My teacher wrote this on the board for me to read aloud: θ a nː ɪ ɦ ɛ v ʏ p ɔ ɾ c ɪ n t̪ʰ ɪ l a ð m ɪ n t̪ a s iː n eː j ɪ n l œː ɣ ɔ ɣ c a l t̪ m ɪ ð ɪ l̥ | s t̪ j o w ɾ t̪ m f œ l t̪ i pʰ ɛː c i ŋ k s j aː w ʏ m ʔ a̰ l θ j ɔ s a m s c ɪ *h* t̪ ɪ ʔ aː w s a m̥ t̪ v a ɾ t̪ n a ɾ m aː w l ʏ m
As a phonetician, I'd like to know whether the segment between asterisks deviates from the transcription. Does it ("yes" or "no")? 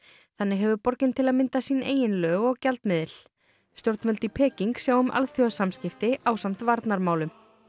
yes